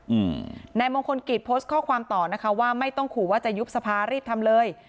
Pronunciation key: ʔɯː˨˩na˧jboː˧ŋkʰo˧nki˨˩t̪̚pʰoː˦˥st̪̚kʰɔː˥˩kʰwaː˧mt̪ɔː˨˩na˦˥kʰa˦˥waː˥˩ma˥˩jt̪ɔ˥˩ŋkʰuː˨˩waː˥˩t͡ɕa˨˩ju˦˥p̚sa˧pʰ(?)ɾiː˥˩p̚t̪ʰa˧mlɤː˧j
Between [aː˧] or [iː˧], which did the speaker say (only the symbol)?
aː˧